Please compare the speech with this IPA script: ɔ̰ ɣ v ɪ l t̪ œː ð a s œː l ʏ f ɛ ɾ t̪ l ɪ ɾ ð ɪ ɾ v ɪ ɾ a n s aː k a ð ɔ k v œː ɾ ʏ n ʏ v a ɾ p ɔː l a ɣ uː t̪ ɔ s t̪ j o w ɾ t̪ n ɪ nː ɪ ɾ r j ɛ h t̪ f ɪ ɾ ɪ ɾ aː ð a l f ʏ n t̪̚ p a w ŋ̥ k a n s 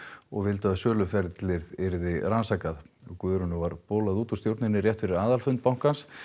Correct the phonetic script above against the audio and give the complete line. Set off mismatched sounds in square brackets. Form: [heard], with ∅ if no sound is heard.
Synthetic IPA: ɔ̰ ɣ v ɪ l t̪ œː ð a s œː l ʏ f ɛ ɾ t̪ l ɪ ɾ ð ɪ ɾ [ð] ɪ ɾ a n s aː k a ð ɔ k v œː ɾ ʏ n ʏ v a ɾ p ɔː l a [ð] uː t̪ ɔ s t̪ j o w ɾ t̪ n ɪ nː ɪ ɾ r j ɛ h t̪ f ɪ ɾ ɪ ɾ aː ð a l f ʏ n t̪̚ p a w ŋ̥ k a n s